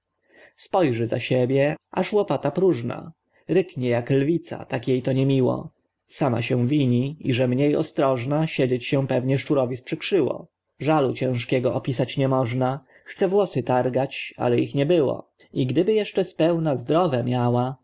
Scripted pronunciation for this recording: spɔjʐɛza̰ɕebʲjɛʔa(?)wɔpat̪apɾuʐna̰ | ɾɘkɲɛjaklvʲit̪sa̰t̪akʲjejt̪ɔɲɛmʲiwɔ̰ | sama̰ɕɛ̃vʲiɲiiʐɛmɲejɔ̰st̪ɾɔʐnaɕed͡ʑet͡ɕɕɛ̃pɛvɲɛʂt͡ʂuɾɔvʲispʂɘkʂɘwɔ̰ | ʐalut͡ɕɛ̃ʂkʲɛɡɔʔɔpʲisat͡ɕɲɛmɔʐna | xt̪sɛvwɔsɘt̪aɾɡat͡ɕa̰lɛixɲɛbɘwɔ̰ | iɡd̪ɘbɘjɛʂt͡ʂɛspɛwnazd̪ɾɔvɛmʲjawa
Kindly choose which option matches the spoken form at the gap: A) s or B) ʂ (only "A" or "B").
B